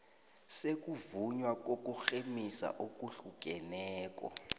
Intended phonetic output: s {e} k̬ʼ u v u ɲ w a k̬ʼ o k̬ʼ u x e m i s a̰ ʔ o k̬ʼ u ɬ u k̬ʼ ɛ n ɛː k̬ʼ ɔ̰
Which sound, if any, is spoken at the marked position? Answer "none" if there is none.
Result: e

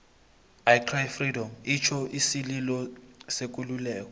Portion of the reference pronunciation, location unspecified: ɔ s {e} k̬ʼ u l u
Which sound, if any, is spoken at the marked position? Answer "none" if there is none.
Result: e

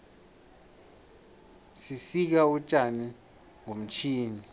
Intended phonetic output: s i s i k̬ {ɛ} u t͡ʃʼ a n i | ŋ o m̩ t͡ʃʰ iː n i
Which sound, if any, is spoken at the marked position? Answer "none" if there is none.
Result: a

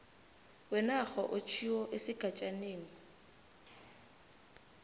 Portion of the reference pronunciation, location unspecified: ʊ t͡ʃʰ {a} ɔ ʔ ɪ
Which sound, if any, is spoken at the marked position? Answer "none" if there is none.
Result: i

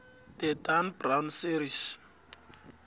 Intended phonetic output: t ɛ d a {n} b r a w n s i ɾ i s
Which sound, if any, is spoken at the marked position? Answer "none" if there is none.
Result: n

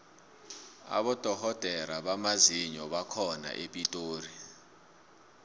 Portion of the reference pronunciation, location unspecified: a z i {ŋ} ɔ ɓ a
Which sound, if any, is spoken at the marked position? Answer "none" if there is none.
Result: ɲ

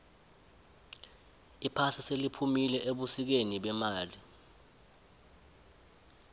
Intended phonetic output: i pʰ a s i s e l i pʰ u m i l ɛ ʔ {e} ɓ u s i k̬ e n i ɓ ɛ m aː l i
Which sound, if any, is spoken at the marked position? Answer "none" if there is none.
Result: e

